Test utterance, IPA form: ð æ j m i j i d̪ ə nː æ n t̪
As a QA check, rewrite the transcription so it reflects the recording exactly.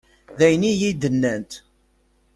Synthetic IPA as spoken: ð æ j n i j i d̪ ə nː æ n t̪